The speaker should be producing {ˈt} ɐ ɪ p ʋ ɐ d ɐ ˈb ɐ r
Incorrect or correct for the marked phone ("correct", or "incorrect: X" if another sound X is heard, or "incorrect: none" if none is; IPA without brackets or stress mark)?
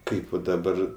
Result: incorrect: k